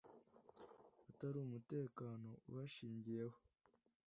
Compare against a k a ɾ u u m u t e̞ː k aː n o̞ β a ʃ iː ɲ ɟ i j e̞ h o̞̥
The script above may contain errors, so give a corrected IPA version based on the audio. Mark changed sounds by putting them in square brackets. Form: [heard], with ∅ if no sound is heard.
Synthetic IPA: a [t] a ɾ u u m u t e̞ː k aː n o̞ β a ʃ iː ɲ ɟ i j e̞ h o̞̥